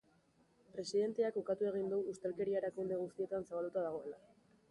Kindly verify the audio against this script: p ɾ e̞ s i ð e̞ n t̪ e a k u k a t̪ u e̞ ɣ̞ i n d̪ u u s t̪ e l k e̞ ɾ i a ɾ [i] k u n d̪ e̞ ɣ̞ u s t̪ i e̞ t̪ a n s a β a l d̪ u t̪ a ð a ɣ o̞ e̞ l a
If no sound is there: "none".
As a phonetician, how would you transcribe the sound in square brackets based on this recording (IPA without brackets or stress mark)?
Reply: a